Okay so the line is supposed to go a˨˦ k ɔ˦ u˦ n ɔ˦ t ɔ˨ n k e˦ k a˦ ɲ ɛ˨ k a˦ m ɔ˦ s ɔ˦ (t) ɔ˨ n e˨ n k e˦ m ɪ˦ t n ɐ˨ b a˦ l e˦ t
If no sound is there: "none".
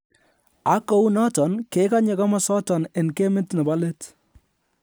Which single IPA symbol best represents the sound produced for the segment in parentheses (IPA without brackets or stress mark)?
t